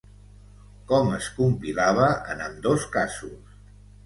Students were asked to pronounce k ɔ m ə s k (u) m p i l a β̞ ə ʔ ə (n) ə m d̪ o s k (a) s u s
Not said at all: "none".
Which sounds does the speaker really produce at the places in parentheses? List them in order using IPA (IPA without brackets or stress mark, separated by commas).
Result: u, n, a